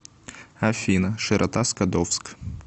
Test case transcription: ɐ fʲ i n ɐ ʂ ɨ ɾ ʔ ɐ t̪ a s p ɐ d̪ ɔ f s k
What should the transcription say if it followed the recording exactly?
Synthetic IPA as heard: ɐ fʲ i n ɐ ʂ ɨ ɾ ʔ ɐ t̪ a s k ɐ d̪ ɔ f s k